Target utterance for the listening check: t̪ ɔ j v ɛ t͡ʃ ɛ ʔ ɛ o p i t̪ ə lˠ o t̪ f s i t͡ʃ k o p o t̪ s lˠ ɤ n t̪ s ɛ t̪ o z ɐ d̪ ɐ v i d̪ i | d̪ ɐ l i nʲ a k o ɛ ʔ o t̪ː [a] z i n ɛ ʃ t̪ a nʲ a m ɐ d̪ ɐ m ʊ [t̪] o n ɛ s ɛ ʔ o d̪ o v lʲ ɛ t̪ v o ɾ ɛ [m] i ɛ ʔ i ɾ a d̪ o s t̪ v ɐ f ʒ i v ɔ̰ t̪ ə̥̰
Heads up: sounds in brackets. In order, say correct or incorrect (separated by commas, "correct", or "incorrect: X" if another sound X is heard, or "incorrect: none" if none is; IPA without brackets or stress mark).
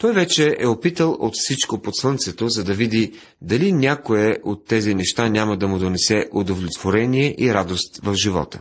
incorrect: ɛ, incorrect: d̪, incorrect: n